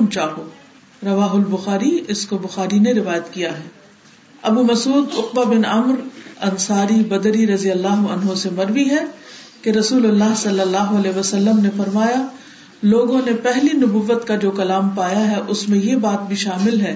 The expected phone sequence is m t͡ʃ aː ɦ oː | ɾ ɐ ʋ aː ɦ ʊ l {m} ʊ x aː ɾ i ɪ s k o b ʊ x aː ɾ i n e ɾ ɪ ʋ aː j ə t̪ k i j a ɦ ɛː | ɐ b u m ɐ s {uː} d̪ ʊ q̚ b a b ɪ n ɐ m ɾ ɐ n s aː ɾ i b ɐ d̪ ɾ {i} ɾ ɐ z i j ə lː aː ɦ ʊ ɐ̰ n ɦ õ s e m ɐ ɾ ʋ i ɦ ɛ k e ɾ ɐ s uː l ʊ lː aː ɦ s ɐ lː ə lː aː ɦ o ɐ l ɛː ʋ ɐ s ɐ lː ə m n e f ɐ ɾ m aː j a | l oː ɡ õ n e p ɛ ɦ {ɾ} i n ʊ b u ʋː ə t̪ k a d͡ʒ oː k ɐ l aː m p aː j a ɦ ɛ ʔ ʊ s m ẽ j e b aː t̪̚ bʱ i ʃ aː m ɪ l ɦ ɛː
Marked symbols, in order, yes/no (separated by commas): no, yes, yes, no